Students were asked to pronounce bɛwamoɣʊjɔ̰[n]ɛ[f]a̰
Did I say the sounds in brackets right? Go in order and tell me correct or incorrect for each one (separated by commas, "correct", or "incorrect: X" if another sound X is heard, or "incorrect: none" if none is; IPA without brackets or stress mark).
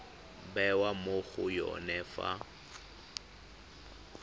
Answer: correct, correct